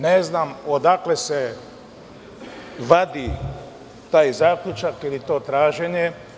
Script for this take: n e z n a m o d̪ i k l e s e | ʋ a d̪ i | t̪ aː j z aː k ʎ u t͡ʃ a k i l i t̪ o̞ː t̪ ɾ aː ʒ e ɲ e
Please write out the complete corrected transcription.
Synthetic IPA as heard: n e z n a m o d̪ a k l e s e | ʋ a d̪ i | t̪ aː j z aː k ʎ u t͡ʃ a k i l i t̪ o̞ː t̪ ɾ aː ʒ e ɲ e